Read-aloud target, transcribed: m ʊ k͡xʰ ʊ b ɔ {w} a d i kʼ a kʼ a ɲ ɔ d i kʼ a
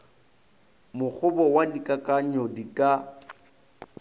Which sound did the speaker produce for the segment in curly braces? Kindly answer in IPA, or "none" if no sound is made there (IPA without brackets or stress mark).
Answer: w